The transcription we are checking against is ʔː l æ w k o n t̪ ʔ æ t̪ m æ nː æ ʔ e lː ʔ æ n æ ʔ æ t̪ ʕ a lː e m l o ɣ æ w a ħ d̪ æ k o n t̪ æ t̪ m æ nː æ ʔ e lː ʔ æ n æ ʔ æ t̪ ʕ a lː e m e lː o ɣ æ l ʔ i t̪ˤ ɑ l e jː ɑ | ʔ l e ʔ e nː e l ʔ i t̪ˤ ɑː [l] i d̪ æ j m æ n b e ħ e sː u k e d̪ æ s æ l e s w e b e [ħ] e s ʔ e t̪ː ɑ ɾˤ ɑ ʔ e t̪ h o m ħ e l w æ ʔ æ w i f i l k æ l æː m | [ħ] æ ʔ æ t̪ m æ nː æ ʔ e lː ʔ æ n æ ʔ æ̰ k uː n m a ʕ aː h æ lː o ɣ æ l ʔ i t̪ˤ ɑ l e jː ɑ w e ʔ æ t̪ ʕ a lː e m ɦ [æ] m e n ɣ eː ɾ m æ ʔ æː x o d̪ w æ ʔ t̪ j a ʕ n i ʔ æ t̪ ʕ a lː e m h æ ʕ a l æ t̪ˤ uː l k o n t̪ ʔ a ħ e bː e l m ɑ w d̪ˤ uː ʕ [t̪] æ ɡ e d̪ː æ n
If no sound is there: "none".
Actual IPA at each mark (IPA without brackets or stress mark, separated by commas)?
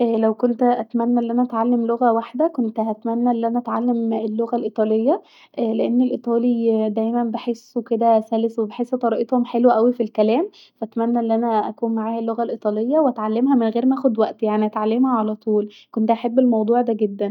l, ħ, f, æ, d̪